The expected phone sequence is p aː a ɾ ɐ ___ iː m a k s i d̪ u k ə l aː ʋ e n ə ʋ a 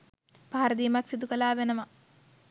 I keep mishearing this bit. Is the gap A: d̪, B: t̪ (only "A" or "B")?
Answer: A